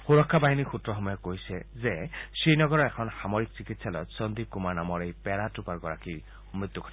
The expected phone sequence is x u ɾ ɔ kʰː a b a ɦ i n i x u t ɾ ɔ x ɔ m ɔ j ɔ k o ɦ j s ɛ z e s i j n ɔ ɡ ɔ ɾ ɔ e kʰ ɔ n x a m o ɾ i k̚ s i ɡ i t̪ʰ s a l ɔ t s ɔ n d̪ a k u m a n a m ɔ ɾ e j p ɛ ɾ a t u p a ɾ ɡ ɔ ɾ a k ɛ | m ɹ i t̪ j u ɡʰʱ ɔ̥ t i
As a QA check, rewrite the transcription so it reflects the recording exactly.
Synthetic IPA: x u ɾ ɔ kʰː a b a ɦ i n i x u t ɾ ɔ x ɔ m ɔ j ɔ k o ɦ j s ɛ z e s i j n ɔ ɡ ɔ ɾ ɔ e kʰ ɔ n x a m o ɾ i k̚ s i k i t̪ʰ s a l ɔ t s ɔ n d̪ i k u m a n a m ɔ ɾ e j p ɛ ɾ a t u p a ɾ ɡ ɔ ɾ a k i | m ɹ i t̪ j u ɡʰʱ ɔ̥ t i

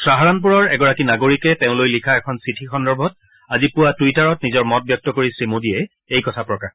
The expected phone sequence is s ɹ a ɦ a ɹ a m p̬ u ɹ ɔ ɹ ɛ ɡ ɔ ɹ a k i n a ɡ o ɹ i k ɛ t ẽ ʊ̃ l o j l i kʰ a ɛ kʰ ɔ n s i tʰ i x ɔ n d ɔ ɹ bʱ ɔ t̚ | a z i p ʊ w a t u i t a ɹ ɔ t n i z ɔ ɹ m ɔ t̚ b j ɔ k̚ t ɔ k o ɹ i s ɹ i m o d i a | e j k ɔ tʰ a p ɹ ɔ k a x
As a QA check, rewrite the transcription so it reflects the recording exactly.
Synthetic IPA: s ɹ a ɦ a ɹ a n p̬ u ɹ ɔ ɹ ɛ ɡ ɔ ɹ a k i n a ɡ o ɹ i k ɛ t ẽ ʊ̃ l o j l i kʰ a ɛ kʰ ɔ n s i tʰ i x ɔ n d ɔ ɹ bʱ ɔ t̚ | a z i p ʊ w a t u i t a ɹ ɔ t n i z ɔ ɹ m ɔ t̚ b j ɔ k̚ t ɔ k o ɹ i s ɹ i m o d i ɛ | e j k ɔ tʰ a p ɹ ɔ k a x

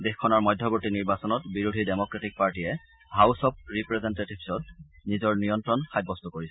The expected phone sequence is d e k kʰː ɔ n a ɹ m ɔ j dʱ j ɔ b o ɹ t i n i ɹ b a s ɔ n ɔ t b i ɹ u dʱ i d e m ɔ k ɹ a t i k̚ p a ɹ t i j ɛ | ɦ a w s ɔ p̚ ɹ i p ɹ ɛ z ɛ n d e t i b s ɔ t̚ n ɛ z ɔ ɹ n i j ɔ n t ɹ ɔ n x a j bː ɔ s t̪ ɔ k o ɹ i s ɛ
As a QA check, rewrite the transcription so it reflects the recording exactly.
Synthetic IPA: d e x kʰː ɔ n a ɹ m ɔ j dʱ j ɔ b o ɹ t i n i ɹ b a s ɔ n ɔ t b i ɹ u dʱ i d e m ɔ k ɹ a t i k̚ p a ɹ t i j ɛ | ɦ a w s ɔ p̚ ɹ i p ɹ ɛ z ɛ n t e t i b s ɔ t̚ n i z ɔ ɹ n i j ɔ n t ɹ ɔ n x a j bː ɔ s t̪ ɔ k o ɹ i s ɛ

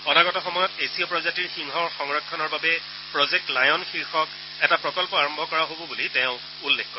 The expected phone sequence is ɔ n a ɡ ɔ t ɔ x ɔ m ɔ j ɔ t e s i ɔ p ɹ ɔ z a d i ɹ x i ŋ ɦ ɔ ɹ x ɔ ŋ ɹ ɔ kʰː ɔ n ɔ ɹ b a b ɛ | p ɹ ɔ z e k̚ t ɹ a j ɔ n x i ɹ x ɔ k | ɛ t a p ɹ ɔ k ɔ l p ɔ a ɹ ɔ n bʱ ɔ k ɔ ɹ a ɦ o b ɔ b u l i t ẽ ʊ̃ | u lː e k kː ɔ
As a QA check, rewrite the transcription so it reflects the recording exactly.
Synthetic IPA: ɔ n a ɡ ɔ t ɔ x ɔ m ɔ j ɔ t e s i ɔ p ɹ ɔ z a t i ɹ x i ŋ ɦ ɔ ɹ x ɔ ŋ ɹ ɔ kʰː ɔ n ɔ ɹ b a b ɛ | p ɹ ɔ z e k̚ t l a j ɔ n x i ɹ x ɔ k | ɛ t a p ɹ ɔ k ɔ l p ɔ a ɹ ɔ m bʱ ɔ k ɔ ɹ a ɦ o b ɔ b u l i t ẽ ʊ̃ | u lː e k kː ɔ

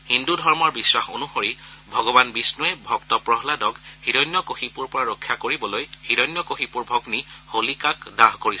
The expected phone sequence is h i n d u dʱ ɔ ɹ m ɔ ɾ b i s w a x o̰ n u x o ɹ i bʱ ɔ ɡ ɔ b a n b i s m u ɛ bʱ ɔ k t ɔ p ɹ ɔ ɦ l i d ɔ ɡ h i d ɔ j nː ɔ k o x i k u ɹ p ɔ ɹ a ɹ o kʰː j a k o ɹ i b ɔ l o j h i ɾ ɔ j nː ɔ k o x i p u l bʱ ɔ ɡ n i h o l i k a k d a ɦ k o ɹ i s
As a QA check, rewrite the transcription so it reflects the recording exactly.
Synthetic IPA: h i n d u dʱ ɔ ɹ m ɔ ɹ b i s w a x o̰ n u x o ɹ i bʱ ɔ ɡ ɔ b a n b i s n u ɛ bʱ ɔ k t ɔ p ɹ ɔ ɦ l a d ɔ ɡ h i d ɔ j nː ɔ k o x i p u ɹ p ɔ ɹ a ɹ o kʰː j a k o ɹ i b ɔ l o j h i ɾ ɔ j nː ɔ k o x i p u ɹ bʱ ɔ ɡ n i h o l i k a k d a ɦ k o ɹ i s

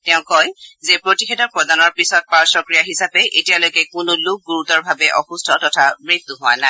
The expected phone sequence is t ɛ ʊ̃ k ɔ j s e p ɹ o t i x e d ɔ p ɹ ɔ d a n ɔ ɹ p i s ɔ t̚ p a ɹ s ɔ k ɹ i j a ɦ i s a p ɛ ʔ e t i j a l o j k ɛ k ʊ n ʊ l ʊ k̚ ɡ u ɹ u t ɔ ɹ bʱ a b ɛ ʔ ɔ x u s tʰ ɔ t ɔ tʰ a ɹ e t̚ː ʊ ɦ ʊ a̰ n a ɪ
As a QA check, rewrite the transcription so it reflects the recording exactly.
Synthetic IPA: t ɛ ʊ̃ k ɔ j z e p ɹ o t i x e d ɔ p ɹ ɔ d a n ɔ ɹ p i s ɔ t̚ p a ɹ s ɔ k ɹ i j a ɦ i s a p ɛ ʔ e t i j a l o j k ɛ k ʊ n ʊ l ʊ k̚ ɡ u ɹ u t ɔ ɹ bʱ a b ɛ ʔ ɔ x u s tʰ ɔ t ɔ tʰ a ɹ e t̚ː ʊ ɦ ʊ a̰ n a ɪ

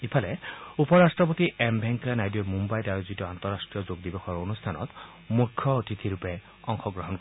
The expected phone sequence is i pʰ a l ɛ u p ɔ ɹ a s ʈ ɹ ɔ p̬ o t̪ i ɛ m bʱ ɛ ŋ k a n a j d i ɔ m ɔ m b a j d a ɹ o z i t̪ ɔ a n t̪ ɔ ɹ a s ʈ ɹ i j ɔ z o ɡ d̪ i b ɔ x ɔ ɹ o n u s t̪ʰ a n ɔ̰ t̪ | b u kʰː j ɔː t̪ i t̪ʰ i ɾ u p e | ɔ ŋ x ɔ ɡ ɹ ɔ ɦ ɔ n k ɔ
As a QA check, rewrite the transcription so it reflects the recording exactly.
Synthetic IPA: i pʰ a l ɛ u p ɔ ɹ a s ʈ ɹ ɔ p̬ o t̪ i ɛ m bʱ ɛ ŋ k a n a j d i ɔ m u m b a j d a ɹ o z i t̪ ɔ a n t̪ ɔ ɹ a s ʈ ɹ i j ɔ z o ɡ d̪ i b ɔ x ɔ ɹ o n u s t̪ʰ a n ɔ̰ t̪ | m u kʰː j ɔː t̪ i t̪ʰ i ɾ u p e | ɔ ŋ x ɔ ɡ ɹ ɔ ɦ ɔ n k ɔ

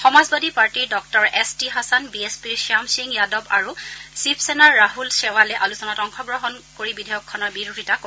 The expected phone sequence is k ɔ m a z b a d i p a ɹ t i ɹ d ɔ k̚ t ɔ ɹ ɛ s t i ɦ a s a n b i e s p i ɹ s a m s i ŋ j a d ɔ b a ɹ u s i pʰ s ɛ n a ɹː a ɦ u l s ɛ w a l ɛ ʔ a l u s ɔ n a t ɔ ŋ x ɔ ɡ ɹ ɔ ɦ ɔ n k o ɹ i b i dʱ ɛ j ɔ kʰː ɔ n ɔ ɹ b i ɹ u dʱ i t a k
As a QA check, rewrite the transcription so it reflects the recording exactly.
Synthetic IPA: x ɔ m a z b a d i p a ɹ t i ɹ d ɔ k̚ t ɔ ɹ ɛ s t i ɦ a s a n b i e s p i ɹ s a m s i ŋ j a d ɔ b a ɹ u s i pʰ s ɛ n a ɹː a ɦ u l s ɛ w a l ɛ ʔ a l u s ɔ n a t ɔ ŋ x ɔ ɡ ɹ ɔ ɦ ɔ n k o ɹ i b i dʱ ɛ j ɔ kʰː ɔ n ɔ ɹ b i ɹ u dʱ i t a k

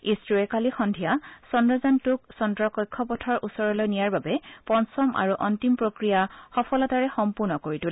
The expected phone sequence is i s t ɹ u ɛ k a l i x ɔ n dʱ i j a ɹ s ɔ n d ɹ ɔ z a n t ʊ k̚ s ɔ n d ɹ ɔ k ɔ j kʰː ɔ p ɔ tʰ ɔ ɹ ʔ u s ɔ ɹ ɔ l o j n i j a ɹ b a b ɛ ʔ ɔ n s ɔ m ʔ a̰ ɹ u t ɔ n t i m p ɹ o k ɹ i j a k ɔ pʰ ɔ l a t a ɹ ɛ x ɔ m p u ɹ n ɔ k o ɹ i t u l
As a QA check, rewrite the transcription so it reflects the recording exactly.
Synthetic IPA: i s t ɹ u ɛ k a l i x ɔ n dʱ i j a s ɔ n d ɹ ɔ z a n t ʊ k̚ s ɔ n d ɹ ɔ k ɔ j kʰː ɔ p ɔ tʰ ɔ ɹ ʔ u s ɔ ɹ ɔ l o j n i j a ɹ b a b ɛ p ɔ n s ɔ m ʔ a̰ ɹ u ʔ ɔ n t i m p ɹ o k ɹ i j a x ɔ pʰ ɔ l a t a ɹ ɛ x ɔ m p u ɹ n ɔ k o ɹ i t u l

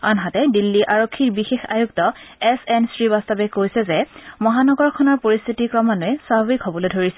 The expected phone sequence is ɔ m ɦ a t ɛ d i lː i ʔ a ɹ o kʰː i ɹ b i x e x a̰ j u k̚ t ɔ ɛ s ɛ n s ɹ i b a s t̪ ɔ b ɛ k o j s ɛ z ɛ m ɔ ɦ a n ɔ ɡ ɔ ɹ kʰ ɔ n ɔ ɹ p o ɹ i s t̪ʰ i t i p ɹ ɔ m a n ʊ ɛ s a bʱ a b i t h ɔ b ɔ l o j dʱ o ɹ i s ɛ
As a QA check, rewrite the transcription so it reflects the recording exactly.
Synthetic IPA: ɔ n ɦ a t ɛ d i lː i ʔ a ɹ o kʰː i ɹ b i x e x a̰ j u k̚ t ɔ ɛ s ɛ n s ɹ i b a s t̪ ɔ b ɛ k o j s ɛ z ɛ m ɔ ɦ a n ɔ ɡ ɔ ɹ kʰ ɔ n ɔ ɹ p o ɹ i s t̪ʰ i t i k ɹ ɔ m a n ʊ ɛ s a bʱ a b i k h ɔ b ɔ l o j dʱ o ɹ i s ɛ

